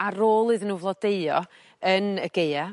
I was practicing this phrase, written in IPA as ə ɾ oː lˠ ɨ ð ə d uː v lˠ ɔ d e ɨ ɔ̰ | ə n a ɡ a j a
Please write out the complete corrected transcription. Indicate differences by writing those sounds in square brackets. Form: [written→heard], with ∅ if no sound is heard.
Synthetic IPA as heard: [ə→a] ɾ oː lˠ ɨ ð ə [d→n] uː v lˠ ɔ d e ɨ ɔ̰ | ə n [a→ə] ɡ [a→e] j a